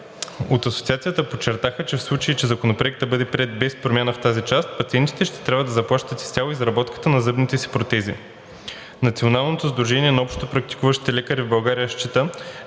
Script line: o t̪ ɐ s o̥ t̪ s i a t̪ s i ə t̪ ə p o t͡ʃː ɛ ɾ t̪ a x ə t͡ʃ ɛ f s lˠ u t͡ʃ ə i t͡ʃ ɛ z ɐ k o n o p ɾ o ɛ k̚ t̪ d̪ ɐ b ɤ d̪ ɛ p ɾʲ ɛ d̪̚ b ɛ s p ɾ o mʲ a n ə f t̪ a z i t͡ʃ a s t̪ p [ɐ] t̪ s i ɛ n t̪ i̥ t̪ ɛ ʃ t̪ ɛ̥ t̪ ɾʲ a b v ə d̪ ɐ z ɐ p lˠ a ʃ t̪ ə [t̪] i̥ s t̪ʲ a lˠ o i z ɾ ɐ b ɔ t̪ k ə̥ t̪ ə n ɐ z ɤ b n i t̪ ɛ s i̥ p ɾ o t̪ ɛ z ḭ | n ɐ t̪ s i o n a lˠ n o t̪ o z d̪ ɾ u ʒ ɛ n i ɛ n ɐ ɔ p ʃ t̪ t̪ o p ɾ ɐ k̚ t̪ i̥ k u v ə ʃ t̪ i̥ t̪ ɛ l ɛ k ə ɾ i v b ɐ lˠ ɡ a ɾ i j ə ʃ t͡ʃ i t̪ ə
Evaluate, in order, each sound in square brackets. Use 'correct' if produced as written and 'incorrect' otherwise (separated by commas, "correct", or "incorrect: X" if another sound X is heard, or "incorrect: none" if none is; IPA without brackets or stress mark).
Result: correct, correct